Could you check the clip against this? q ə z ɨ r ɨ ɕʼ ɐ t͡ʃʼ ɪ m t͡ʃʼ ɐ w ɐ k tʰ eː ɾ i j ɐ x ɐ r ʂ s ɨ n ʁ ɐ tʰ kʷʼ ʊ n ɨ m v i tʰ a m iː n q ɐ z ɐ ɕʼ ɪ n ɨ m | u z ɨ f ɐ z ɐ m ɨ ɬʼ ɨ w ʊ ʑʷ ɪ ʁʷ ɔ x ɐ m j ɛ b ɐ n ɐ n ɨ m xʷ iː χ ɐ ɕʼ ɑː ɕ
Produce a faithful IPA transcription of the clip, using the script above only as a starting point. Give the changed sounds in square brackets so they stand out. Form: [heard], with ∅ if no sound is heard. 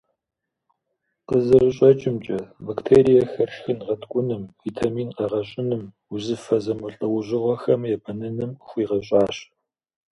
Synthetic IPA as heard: q ə z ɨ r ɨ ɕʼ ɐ t͡ʃʼ ɪ m t͡ʃʼ ɐ [b] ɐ k tʰ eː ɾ i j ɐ x ɐ r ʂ [x] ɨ n ʁ ɐ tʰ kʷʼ ʊ n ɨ m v i tʰ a m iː n q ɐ [ʁ] ɐ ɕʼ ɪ n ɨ m | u z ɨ f ɐ z ɐ m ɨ ɬʼ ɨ w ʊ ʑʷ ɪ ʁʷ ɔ x ɐ m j ɛ b ɐ n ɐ n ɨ m xʷ iː [ʁ] ɐ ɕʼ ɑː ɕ